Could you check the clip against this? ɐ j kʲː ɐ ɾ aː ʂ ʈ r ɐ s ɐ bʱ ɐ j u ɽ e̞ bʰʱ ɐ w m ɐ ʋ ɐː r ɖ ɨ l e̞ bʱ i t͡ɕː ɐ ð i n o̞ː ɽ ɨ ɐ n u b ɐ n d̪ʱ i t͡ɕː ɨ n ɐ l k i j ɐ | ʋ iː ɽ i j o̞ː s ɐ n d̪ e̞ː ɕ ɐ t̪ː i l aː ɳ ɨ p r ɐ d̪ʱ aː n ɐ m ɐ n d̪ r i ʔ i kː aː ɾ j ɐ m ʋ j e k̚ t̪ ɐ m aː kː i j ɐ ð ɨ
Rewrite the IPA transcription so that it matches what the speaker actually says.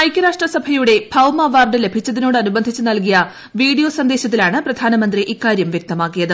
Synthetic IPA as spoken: ɐ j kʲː ɐ ɾ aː ʂ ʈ r ɐ s ɐ bʱ ɐ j u ɽ e̞ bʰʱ ɐ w m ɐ ʋ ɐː r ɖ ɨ l e̞ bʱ i t͡ɕː ɐ ð i n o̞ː ɽ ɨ ɐ n u b ɐ n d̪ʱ i t͡ɕː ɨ n ɐ l k i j ɐ | ʋ iː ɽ i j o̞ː s ɐ n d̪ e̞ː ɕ ɐ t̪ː i l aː ɳ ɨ p r ɐ d̪ʱ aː n ɐ m ɐ n d̪ r i ʔ i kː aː ɾ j ɐ m ʋ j e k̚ t̪ ɐ m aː kː i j ɐ ð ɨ